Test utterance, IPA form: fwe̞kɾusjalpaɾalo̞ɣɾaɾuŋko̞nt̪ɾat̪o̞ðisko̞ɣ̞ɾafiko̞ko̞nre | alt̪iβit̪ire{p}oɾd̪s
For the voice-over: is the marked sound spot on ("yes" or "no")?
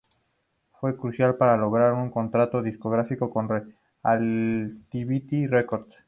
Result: no